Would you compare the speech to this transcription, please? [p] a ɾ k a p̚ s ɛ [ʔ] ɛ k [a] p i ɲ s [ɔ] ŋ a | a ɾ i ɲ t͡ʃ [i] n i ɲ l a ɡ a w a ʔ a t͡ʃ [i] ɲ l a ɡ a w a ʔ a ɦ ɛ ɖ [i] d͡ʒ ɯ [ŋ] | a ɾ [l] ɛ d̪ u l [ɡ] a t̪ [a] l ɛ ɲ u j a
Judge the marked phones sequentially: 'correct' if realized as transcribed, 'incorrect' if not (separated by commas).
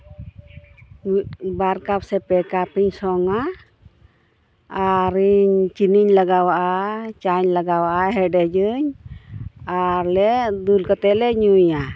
incorrect, incorrect, correct, correct, correct, incorrect, incorrect, incorrect, correct, incorrect, incorrect